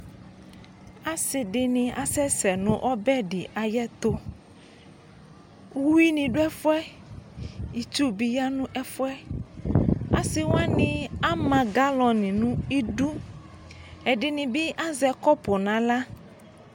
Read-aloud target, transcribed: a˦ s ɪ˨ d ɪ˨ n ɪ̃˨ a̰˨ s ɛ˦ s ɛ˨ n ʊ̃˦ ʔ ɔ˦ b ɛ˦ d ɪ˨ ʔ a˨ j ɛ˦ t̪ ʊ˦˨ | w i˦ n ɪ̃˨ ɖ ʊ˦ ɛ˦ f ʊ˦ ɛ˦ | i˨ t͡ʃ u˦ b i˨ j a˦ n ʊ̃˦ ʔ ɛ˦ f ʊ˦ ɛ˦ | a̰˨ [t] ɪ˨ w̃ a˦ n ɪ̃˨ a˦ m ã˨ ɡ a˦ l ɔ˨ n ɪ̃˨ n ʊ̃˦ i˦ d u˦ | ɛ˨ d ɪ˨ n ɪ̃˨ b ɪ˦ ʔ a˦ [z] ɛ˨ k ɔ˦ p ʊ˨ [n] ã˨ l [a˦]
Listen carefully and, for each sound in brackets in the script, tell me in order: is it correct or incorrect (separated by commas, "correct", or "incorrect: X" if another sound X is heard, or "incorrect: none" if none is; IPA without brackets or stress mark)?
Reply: incorrect: s, correct, correct, correct